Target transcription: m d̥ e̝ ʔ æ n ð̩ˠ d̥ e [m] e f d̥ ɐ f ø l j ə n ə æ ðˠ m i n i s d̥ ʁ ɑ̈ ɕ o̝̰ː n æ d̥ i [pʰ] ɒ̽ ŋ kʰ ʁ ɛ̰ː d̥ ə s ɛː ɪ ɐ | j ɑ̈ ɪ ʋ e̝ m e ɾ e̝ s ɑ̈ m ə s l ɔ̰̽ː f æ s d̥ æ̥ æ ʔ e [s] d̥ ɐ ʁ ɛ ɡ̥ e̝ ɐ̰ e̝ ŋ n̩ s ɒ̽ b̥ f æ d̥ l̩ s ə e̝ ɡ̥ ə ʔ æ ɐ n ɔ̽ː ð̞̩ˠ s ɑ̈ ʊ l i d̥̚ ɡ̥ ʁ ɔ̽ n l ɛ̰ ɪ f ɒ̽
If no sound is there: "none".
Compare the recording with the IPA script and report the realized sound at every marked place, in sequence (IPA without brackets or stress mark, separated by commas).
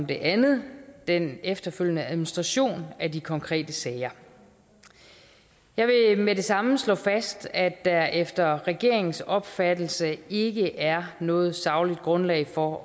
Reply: n, kʰ, f